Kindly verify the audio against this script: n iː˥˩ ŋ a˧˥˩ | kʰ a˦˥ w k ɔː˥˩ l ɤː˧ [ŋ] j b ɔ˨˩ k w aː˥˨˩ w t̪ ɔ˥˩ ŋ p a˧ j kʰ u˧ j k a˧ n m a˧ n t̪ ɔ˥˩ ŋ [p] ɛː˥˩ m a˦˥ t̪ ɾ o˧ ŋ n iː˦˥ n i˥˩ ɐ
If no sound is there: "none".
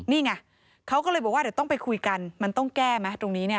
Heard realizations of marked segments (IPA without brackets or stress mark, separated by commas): none, k